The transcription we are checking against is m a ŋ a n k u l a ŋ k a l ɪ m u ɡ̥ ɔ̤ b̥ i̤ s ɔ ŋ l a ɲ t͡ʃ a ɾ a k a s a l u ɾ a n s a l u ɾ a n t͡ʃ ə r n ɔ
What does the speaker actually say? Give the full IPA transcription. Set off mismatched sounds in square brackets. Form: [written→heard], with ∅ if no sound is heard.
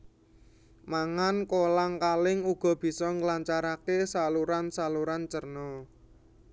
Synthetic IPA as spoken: m a ŋ a n k [u→o] l a ŋ k a l ɪ [m→ŋ] u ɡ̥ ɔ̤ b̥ i̤ s ɔ ŋ l a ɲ t͡ʃ a ɾ a k [a→e] s a l u ɾ a n s a l u ɾ a n t͡ʃ ə r n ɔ